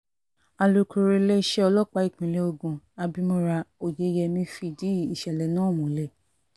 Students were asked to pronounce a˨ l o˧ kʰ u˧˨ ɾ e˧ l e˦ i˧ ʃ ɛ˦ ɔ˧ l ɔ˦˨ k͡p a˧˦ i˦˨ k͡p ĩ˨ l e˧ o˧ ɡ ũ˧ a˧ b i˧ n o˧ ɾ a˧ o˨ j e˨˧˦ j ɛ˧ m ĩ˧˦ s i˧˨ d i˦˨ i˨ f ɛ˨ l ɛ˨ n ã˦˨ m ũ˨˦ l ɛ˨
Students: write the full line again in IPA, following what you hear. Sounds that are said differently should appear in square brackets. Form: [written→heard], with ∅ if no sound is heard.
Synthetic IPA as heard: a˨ l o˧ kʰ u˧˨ ɾ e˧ l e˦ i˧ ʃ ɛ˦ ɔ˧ l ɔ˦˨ k͡p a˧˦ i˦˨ k͡p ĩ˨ l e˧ o˧ ɡ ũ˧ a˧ b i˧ [n→m] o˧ ɾ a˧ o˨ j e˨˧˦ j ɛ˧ m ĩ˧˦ [s→f] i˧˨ d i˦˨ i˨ [f→ʃ] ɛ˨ l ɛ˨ n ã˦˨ m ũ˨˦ l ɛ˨

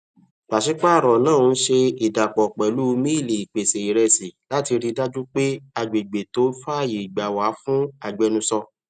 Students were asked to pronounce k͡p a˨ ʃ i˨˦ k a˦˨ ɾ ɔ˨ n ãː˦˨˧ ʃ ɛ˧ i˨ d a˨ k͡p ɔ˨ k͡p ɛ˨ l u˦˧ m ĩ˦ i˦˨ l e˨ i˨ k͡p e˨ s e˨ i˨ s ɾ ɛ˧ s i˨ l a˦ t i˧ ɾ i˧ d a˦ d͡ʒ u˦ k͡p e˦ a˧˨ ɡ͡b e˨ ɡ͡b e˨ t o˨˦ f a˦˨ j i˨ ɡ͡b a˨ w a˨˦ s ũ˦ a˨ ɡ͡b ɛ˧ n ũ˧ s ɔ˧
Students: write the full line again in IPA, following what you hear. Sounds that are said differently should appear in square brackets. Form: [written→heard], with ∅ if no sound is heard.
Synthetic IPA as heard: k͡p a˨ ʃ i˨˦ [k→k͡p] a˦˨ ɾ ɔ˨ n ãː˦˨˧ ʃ [ɛ˧→e˧] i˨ d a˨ k͡p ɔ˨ k͡p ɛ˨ l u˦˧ m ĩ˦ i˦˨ l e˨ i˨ k͡p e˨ s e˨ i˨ [s→∅] ɾ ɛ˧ s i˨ l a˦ t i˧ ɾ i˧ d a˦ d͡ʒ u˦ k͡p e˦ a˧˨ ɡ͡b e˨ ɡ͡b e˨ t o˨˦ f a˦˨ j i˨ ɡ͡b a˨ w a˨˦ [s→f] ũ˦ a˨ ɡ͡b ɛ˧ n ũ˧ s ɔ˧

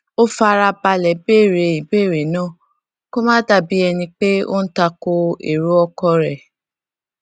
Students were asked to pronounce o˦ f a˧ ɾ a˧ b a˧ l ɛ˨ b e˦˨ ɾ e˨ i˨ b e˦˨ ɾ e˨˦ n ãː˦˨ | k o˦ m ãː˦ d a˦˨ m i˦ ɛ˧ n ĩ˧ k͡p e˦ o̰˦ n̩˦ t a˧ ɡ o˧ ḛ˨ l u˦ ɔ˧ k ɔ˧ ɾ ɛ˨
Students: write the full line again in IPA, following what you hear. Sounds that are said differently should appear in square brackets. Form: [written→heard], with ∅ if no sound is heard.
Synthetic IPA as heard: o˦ f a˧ ɾ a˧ b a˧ l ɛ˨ b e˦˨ ɾ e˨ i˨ b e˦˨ ɾ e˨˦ n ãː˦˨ | k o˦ m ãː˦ d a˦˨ [m→b] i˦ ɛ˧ n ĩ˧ k͡p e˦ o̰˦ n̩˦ t a˧ [ɡ→k] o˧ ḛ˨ [l→ɾ] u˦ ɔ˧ k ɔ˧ ɾ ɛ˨

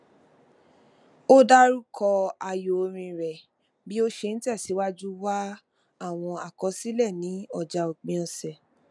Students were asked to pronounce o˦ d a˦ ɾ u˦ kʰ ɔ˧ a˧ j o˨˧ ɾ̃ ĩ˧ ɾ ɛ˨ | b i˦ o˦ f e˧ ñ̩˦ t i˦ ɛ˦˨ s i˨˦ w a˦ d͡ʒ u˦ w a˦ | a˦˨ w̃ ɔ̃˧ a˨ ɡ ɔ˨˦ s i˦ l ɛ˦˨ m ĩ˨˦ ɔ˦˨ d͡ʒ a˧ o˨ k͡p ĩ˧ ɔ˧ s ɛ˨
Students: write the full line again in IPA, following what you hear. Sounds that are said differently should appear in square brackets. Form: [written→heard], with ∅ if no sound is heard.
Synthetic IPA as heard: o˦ d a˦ ɾ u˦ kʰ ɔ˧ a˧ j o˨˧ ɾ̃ ĩ˧ ɾ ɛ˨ | b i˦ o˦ [f→ʃ] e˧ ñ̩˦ t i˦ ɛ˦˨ s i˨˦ w a˦ d͡ʒ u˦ w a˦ | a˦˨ w̃ ɔ̃˧ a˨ [ɡ→k] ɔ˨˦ s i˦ l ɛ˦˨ [m→n] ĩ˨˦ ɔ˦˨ d͡ʒ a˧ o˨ k͡p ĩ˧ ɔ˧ s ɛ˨

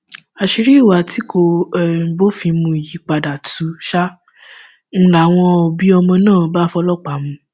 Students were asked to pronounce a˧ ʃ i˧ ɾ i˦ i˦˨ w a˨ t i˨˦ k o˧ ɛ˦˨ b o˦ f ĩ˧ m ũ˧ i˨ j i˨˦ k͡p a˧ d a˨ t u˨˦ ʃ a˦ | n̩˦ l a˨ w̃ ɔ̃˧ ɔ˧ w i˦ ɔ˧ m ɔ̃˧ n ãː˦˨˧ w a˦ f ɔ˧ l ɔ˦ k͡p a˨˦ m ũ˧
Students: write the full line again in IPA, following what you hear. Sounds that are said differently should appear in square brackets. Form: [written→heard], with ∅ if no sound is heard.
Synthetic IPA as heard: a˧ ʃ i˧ ɾ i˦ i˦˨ w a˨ t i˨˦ k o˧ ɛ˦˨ b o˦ f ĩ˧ m ũ˧ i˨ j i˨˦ k͡p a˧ d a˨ t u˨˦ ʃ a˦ | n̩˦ l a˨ w̃ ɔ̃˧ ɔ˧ [w→b] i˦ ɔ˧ m ɔ̃˧ n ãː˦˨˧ [w→b] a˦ f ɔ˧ l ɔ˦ k͡p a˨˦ m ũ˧

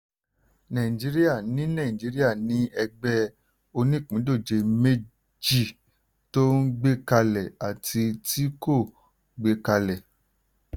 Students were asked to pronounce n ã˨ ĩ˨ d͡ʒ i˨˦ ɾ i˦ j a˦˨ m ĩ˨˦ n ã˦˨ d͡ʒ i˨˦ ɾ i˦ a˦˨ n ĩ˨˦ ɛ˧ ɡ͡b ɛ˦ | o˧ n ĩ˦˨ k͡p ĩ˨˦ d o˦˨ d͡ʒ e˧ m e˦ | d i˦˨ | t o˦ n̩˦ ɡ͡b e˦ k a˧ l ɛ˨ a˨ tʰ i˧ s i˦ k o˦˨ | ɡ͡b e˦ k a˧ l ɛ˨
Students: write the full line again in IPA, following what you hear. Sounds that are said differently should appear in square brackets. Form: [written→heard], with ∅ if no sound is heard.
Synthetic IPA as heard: n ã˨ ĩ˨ d͡ʒ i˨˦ ɾ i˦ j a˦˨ [m→n] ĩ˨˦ n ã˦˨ d͡ʒ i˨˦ ɾ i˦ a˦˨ n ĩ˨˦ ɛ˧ ɡ͡b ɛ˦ | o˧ n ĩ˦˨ k͡p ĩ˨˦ d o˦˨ d͡ʒ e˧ m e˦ | [d→d͡ʒ] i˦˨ | t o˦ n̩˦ ɡ͡b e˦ k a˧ l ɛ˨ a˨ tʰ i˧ [s→t] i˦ k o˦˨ | ɡ͡b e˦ k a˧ l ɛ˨

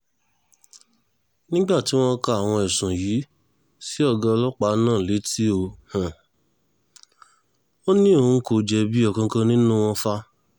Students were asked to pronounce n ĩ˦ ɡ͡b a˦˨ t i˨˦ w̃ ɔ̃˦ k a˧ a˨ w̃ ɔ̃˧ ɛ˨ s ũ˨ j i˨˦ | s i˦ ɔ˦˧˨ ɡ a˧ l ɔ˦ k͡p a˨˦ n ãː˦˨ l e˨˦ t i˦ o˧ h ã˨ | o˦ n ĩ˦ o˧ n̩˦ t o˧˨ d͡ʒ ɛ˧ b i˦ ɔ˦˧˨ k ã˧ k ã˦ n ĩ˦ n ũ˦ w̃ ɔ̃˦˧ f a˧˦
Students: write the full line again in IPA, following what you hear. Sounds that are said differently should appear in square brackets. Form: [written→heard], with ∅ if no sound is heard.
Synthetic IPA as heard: n ĩ˦ ɡ͡b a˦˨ t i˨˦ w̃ ɔ̃˦ k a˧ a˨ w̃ ɔ̃˧ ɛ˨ s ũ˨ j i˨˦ | s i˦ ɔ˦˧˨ ɡ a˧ l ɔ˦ k͡p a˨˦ n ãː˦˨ l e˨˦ t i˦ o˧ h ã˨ | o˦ n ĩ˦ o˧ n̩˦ [t→k] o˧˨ d͡ʒ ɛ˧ b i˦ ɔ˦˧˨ k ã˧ k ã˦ n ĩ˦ n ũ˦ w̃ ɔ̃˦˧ f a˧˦

